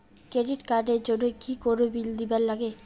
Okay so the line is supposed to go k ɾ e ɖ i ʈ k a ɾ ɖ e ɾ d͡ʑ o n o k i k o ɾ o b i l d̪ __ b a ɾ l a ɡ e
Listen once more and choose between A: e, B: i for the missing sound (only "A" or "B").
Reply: B